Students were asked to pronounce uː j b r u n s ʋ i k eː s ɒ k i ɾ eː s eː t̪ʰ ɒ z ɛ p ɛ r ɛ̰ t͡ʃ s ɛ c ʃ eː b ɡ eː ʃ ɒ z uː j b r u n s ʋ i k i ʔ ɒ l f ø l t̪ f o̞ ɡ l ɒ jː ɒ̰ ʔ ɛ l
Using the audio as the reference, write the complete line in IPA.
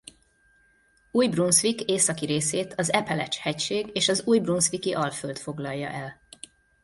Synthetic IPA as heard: uː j b r u n s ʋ i k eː s ɒ k i ɾ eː s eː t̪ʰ ɒ z ɛ p ɛ l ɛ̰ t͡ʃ h ɛ c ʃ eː ɡ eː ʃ ɒ z uː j b r u n s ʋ i k i ʔ ɒ l f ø l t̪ f o̞ ɡ l ɒ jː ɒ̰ ʔ ɛ l